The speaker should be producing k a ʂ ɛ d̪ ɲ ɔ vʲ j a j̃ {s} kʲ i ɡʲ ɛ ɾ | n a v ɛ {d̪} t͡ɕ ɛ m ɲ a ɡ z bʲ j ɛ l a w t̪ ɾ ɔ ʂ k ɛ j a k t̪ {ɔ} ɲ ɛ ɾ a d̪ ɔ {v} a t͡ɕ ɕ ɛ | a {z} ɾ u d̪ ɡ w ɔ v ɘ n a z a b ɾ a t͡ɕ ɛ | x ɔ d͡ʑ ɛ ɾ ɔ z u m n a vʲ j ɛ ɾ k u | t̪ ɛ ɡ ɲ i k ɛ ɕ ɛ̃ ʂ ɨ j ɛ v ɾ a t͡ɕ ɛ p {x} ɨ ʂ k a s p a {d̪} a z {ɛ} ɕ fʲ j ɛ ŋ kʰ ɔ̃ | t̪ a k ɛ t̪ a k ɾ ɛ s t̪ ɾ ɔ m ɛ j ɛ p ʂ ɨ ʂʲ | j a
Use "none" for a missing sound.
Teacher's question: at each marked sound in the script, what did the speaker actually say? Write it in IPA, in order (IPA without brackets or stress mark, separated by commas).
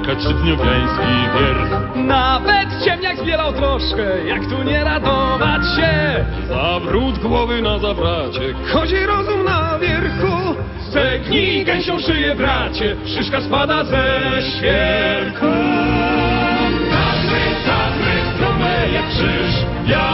s, t̪, u, v, v, ʂ, d̪, ɛ